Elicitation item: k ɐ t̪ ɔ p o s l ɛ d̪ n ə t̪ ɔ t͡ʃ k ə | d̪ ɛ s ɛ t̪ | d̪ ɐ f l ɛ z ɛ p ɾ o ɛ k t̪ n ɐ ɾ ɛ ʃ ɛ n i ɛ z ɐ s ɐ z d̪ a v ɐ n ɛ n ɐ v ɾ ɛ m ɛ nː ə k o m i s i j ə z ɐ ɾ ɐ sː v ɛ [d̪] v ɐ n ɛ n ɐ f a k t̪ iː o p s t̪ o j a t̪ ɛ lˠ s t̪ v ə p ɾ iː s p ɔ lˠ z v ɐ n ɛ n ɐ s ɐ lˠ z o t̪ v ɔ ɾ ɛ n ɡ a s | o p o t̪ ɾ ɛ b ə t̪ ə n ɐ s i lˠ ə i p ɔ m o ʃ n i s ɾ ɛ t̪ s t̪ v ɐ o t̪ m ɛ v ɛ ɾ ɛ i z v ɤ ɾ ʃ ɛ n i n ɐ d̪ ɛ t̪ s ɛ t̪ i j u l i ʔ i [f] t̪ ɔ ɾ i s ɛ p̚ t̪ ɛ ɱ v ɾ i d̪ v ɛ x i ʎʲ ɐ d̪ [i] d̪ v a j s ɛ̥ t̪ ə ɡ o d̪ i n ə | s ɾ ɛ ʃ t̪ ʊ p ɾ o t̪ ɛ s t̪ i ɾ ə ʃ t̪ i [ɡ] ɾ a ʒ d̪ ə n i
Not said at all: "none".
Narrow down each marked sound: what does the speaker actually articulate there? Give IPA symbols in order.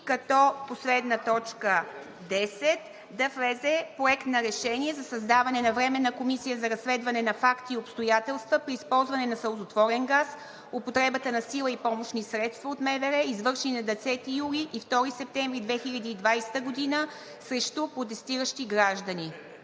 d̪, f, iː, ɡ

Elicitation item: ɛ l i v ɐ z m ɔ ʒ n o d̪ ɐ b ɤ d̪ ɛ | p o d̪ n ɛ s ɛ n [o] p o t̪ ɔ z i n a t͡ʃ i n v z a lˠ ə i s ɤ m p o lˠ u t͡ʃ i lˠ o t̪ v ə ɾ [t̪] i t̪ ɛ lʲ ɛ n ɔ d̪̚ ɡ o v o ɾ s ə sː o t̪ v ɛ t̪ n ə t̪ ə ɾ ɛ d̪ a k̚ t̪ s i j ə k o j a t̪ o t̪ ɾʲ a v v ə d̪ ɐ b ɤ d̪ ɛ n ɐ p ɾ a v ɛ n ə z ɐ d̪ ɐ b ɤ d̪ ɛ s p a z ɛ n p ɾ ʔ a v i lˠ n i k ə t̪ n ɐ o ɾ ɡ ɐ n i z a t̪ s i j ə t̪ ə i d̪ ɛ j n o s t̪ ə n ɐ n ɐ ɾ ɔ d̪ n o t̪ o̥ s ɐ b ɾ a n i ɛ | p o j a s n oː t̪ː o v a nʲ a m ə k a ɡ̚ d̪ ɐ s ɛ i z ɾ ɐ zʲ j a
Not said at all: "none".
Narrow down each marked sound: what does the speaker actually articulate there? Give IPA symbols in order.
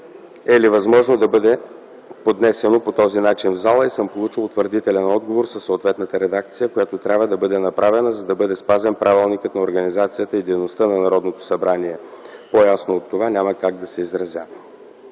o, d̪

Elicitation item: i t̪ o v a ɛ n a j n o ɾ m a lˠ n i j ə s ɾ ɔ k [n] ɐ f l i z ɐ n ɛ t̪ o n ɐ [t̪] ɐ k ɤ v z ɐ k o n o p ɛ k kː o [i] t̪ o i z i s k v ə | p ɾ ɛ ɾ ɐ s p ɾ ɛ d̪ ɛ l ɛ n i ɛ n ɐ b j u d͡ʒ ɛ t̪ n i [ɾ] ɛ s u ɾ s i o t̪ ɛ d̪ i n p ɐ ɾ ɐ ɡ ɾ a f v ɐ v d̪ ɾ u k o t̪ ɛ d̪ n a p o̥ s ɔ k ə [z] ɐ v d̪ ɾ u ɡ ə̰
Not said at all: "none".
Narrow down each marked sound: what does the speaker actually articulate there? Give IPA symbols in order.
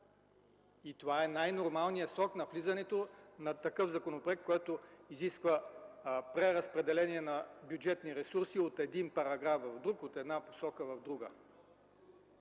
n, t̪, ɛ, ɾ, v

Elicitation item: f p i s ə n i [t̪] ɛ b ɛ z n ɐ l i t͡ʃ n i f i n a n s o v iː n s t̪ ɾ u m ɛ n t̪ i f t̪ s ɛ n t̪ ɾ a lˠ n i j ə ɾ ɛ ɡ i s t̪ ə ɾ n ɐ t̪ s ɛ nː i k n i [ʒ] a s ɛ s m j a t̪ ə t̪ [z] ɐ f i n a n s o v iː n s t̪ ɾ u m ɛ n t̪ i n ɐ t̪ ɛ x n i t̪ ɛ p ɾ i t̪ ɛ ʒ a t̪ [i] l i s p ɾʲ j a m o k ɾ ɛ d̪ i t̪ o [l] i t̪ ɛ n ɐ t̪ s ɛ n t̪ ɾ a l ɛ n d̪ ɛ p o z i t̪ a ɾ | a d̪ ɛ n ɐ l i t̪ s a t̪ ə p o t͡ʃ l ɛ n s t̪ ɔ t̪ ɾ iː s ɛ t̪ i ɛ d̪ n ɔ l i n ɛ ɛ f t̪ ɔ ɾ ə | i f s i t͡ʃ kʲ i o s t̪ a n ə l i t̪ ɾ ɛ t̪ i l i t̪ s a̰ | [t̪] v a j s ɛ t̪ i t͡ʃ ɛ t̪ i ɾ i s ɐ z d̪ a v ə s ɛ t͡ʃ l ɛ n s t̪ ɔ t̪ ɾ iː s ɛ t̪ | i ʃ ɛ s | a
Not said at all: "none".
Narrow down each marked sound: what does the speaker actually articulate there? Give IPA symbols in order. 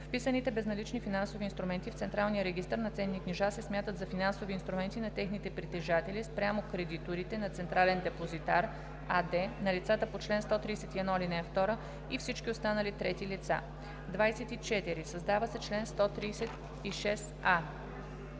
t̪, ʒ, z, ɛ, ɾ, d̪

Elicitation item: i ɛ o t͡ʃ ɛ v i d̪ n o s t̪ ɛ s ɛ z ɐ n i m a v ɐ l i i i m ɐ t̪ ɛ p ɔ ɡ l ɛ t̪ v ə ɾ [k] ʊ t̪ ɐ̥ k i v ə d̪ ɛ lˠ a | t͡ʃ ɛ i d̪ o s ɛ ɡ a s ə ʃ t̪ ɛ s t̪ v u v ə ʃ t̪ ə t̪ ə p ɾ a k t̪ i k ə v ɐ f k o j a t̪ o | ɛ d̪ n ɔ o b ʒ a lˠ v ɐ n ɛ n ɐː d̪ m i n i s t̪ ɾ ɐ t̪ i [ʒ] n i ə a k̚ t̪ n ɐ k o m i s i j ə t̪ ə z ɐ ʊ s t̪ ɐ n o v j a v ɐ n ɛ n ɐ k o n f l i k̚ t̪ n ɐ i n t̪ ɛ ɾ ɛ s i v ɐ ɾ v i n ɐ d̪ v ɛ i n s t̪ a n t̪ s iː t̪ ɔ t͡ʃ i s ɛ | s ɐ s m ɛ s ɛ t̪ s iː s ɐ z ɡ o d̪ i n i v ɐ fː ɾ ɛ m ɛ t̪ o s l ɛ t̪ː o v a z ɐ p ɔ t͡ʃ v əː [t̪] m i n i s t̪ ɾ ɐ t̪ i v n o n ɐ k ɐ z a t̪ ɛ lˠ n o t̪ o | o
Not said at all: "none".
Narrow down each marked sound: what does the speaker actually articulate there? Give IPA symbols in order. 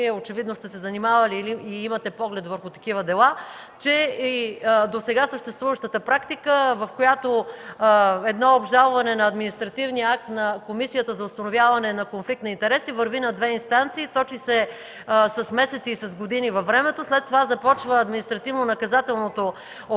x, v, d̪

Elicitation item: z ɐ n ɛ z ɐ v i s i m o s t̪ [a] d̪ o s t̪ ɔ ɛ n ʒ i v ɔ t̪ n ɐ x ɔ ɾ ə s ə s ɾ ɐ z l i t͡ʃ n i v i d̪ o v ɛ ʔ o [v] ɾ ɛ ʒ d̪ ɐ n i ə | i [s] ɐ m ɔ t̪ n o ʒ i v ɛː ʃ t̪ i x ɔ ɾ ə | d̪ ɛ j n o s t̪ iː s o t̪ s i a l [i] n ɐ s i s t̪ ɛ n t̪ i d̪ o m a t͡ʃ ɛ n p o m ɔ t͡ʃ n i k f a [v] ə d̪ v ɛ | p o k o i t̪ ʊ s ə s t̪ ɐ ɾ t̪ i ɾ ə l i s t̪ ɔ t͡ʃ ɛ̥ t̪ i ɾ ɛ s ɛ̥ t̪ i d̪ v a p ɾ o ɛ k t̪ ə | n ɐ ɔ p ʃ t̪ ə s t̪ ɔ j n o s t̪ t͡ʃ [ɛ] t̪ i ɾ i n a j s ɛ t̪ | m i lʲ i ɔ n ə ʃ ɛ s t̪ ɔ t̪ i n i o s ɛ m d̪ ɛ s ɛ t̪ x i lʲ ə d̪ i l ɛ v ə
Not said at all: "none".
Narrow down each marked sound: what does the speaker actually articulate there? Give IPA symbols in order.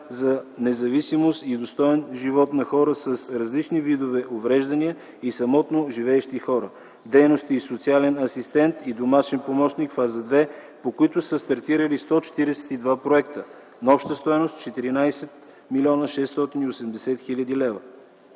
i, v, s, ɛ, z, ɛ

